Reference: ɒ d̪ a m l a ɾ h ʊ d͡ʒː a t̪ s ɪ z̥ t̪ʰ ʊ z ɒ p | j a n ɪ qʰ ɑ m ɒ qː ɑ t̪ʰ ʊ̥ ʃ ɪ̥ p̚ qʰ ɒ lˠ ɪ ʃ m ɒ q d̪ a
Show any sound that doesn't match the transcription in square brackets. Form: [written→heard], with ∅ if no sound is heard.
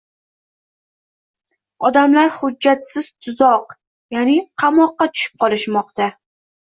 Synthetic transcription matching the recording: ɒ d̪ a m l a ɾ h ʊ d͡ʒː a t̪ s ɪ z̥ t̪ʰ ʊ z ɒ [p→q] | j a n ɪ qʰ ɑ m ɒ qː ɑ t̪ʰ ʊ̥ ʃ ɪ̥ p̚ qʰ ɒ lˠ ɪ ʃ m ɒ q [d̪→t̪] a